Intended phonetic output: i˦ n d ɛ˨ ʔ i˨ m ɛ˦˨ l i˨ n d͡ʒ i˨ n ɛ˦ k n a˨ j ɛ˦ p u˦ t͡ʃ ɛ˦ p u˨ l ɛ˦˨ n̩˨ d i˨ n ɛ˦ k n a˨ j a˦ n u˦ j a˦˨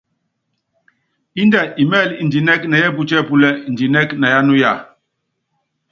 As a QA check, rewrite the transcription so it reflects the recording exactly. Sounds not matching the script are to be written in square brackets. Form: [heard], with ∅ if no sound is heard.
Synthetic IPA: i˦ n d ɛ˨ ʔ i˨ m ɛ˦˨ l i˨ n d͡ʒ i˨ n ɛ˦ k n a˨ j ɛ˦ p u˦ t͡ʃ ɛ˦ p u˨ l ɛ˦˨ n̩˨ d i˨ n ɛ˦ k n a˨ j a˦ n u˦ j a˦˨